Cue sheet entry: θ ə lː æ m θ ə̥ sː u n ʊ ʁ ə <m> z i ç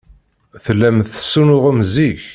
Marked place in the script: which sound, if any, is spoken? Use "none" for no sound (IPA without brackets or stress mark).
m